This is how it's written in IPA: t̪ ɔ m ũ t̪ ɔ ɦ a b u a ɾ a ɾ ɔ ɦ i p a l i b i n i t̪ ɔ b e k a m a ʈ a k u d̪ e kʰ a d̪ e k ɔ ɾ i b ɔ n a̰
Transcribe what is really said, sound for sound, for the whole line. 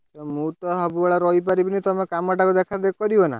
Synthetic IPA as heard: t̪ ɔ m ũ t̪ ɔ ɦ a b u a ɭ a ɾ ɔ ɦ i p a ɾ i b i n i t̪ ɔ m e k a m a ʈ a k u d̪ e kʰ a d̪ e k ɔ ɾ i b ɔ n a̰